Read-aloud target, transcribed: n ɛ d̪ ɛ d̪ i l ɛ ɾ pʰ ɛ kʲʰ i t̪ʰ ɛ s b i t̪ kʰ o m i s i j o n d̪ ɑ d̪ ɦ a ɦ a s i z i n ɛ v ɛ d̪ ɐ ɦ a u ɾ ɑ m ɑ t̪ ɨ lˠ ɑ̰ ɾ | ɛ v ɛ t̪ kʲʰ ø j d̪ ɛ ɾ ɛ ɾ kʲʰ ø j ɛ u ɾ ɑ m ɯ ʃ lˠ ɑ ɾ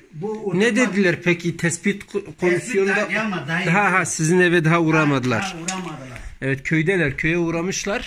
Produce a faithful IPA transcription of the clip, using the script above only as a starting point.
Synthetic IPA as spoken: n ɛ d̪ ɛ d̪ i l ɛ ɾ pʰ ɛ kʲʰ i t̪ʰ ɛ s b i t̪ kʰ o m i s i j o n d̪ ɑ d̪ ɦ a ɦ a s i z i n ɛ v ɛ d̪ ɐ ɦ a u ɾ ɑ m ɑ d̪ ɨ lˠ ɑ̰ ɾ | ɛ v ɛ t̪ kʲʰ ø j d̪ ɛ l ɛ ɾ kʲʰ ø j ɛ u ɾ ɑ m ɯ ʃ lˠ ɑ ɾ